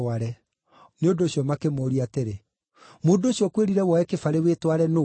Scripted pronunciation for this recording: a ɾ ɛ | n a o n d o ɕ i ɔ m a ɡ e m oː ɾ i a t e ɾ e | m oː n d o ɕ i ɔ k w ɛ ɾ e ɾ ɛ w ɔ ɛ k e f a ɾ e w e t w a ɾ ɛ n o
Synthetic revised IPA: a ɾ ɛ | n e o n d o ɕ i ɔ m a k e m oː ɾ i a t e ɾ e | m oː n d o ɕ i ɔ k w e ɾ i ɾ ɛ w ɔ ɛ k e f a ɾ e w e t w a ɾ ɛ n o